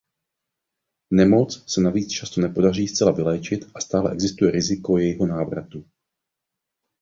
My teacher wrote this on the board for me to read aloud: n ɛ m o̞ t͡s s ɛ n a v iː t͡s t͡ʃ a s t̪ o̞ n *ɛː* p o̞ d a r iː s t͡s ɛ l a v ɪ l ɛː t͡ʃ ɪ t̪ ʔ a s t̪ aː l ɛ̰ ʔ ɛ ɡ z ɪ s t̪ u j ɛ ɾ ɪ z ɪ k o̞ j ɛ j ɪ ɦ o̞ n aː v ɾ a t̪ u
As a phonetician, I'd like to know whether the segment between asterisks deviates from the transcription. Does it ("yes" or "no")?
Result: yes